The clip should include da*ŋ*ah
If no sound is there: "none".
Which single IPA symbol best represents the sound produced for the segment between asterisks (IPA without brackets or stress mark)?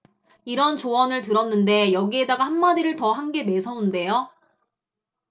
ɡ